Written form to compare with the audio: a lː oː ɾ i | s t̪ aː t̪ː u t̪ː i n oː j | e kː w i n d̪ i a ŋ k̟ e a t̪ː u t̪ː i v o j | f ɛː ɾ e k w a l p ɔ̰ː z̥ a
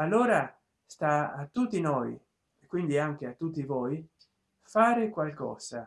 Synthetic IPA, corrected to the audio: a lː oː ɾ a | s t̪ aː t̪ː u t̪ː i n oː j | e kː w i n d̪ i a ŋ k̟ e a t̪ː u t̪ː i v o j | f aː ɾ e k w a l k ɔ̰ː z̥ a